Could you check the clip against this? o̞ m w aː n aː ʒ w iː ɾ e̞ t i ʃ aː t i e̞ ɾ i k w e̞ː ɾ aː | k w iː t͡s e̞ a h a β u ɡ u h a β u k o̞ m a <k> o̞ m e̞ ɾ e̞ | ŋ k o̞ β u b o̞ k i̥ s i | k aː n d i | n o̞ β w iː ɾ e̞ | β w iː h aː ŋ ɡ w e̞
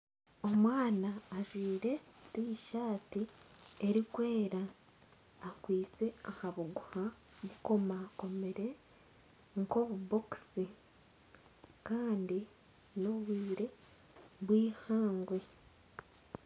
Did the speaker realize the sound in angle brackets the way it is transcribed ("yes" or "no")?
yes